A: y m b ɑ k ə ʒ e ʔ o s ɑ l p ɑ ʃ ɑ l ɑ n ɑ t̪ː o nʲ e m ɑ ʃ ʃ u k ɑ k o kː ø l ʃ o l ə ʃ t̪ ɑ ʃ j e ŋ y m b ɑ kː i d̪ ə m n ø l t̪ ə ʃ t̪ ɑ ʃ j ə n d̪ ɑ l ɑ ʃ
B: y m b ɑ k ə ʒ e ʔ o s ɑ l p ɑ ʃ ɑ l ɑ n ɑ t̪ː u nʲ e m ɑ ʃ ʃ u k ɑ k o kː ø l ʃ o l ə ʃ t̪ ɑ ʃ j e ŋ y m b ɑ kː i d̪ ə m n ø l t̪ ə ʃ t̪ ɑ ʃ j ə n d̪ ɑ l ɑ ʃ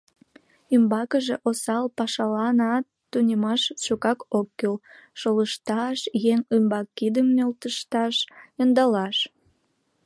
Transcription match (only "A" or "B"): B